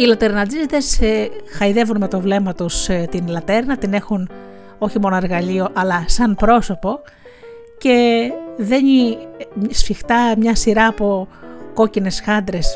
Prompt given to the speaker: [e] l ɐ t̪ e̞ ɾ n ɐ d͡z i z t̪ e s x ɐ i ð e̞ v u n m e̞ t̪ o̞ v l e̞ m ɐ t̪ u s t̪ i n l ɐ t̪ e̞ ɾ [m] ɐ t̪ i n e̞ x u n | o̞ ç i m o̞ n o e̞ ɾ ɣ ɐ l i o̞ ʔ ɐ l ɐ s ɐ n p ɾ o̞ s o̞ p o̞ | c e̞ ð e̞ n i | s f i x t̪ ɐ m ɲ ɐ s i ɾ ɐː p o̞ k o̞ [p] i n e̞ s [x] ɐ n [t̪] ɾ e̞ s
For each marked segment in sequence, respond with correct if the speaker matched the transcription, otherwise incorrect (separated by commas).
incorrect, incorrect, incorrect, correct, incorrect